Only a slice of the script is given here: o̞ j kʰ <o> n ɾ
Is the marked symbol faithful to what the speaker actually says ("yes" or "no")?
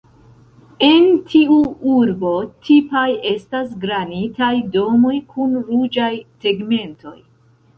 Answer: no